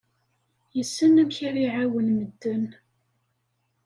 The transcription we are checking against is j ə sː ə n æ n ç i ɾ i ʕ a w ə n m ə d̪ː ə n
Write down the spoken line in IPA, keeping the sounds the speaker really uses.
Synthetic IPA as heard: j ə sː ə n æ m ç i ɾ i ʕ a w ə n m ə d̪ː ə n